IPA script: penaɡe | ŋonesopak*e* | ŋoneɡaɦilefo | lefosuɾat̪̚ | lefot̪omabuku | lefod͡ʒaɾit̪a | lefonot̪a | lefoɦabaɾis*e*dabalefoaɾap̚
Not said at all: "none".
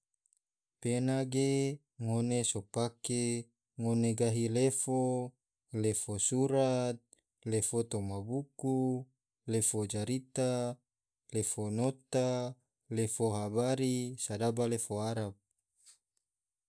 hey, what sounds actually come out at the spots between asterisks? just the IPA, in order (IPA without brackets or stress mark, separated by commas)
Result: e, a